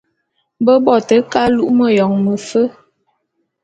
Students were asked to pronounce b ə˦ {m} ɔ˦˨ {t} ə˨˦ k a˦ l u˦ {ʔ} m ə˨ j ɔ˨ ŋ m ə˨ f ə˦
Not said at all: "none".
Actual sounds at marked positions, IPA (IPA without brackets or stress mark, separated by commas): b, t, ʔ